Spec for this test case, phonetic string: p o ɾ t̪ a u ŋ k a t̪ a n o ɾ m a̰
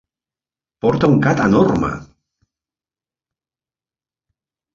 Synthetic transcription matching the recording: p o ɾ t̪ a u ŋ k a t̪ a n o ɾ m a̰